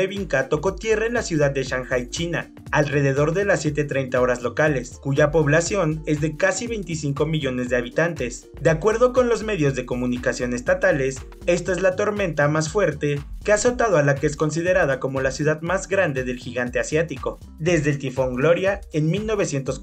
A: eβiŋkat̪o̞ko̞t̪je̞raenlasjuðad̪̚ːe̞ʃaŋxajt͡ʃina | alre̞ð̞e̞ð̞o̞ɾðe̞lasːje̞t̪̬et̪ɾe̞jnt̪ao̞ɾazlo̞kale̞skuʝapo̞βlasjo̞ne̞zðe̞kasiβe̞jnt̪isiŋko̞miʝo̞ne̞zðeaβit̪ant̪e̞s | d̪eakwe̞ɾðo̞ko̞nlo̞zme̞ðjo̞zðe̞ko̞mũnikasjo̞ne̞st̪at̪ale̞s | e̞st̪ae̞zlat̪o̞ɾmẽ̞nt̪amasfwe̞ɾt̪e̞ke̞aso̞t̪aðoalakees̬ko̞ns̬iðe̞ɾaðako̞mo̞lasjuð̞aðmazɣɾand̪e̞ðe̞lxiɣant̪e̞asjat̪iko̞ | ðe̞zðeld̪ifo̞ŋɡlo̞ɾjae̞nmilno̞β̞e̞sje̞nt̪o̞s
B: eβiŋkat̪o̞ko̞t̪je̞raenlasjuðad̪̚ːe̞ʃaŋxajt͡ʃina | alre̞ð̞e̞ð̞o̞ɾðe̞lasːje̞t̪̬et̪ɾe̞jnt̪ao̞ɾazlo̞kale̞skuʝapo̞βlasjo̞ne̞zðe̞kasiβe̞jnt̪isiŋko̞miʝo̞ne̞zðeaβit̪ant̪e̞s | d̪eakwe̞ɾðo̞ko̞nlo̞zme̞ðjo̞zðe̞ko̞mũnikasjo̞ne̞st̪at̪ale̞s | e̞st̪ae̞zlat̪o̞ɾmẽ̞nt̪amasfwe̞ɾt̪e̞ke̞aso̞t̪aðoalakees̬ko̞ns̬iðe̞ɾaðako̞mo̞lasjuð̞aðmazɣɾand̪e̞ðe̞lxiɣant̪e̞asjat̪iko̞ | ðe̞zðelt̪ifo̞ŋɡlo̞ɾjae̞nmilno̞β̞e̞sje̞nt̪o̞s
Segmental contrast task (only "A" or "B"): B